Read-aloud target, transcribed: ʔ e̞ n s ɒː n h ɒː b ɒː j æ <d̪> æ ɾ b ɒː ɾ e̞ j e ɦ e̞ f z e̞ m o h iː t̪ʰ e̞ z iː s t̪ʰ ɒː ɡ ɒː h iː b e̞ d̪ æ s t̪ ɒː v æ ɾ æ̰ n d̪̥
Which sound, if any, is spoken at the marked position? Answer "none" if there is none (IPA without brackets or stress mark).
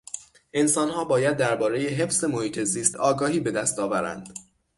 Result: d̪ː